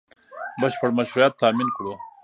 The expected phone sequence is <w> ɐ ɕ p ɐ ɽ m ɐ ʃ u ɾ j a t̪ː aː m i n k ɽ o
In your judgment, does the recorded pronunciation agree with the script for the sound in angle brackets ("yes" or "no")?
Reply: no